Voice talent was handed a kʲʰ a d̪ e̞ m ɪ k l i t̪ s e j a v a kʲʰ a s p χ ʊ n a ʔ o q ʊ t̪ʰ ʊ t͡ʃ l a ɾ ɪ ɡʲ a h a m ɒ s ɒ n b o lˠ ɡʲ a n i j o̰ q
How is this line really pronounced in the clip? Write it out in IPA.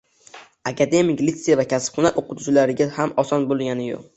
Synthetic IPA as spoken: a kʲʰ a d̪ e̞ m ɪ k l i t̪ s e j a v a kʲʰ a s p χ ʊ n a ʔ o q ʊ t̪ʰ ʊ t͡ʃ l a ɾ ɪ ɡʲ a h a m ɒ s ɒ n b o lˠ ɡʲ a n ɪ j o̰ q